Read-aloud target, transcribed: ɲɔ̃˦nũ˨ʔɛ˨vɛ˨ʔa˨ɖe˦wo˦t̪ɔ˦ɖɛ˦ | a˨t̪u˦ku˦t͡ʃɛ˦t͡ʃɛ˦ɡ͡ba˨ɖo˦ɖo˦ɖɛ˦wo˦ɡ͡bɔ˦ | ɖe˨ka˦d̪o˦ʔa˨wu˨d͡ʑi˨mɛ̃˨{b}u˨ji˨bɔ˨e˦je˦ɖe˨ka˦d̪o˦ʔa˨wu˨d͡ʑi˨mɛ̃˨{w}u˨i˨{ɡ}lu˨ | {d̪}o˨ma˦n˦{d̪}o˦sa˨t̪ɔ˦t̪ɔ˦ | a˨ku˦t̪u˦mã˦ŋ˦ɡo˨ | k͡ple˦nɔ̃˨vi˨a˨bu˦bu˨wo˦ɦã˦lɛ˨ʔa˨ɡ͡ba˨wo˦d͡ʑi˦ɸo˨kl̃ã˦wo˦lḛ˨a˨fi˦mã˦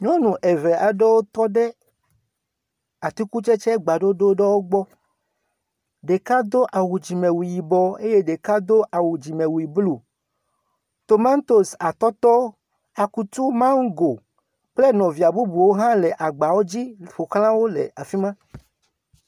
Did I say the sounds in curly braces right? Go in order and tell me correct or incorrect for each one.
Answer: incorrect: w, correct, incorrect: b, incorrect: t̪, incorrect: t̪

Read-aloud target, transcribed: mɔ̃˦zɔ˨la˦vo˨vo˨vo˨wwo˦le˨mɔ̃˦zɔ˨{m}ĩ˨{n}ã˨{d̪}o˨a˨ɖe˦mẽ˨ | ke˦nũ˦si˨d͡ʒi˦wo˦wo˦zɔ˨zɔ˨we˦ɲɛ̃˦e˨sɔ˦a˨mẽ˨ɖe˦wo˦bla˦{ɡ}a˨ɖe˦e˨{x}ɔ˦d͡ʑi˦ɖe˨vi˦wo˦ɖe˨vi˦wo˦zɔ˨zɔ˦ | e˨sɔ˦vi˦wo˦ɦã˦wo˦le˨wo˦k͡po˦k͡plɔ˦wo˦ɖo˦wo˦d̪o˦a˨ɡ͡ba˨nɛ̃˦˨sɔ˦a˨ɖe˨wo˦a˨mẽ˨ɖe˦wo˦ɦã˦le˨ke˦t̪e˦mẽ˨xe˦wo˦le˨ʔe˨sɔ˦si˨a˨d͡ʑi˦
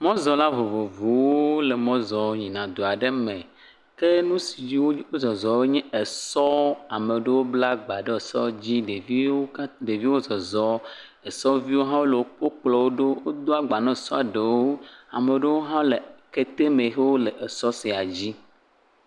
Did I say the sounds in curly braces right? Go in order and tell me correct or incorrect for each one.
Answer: incorrect: ɲ, correct, correct, incorrect: ɡ͡b, incorrect: s

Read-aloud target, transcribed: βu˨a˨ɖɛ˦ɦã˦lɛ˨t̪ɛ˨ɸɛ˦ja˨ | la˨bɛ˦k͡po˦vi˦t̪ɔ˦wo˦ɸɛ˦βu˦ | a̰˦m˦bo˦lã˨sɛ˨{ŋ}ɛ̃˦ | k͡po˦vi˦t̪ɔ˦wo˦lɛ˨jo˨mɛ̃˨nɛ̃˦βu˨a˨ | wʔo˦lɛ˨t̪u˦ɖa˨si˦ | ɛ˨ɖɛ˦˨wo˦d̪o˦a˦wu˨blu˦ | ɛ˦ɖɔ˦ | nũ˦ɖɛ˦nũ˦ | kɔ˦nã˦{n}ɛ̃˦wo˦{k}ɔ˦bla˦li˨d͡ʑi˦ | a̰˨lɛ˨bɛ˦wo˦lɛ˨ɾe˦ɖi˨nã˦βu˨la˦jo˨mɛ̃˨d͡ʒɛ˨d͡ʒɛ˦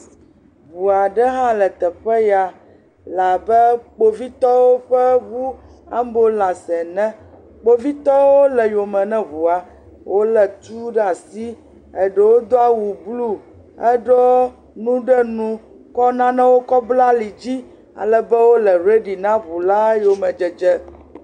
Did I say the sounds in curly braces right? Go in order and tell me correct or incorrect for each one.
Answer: incorrect: n, correct, correct

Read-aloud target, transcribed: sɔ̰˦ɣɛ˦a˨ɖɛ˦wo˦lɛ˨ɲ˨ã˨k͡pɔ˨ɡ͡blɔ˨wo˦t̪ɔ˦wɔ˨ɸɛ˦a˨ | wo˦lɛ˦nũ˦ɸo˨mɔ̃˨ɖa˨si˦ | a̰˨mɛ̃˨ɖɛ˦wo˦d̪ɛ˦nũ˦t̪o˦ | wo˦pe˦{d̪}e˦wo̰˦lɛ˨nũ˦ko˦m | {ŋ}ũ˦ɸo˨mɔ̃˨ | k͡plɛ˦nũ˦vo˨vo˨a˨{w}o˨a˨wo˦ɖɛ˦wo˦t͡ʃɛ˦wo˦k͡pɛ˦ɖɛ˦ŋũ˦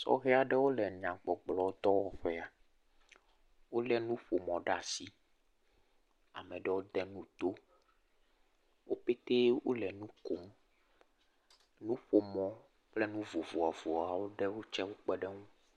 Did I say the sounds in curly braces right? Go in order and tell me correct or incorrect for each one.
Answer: incorrect: t̪, incorrect: n, incorrect: v

